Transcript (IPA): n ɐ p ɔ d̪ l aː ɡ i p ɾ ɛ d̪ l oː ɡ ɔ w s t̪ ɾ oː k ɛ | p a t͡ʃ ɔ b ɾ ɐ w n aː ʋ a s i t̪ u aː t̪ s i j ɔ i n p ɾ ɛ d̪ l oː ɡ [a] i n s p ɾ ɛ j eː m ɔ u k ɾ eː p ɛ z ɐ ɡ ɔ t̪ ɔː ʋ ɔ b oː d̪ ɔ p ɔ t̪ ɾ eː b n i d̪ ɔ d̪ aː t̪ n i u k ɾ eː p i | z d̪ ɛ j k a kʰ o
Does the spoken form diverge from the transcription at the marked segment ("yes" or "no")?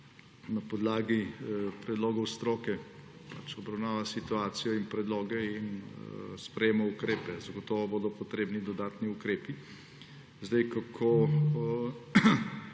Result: yes